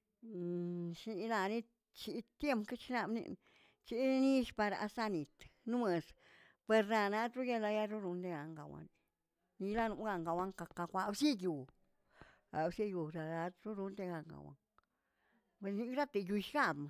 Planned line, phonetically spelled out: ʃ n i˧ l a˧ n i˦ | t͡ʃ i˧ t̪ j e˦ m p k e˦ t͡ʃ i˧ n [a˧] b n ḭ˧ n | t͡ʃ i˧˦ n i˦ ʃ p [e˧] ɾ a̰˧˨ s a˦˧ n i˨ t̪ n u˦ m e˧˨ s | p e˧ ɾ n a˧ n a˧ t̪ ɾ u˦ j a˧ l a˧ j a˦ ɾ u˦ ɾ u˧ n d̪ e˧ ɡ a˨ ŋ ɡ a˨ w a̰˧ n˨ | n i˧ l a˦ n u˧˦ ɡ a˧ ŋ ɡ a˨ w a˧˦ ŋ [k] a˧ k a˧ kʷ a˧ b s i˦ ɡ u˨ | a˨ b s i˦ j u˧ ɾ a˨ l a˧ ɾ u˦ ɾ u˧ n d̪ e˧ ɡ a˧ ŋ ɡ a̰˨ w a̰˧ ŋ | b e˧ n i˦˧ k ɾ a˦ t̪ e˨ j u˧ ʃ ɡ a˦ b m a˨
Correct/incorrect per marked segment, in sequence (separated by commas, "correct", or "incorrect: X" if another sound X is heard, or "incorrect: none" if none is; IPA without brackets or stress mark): correct, incorrect: a˧, correct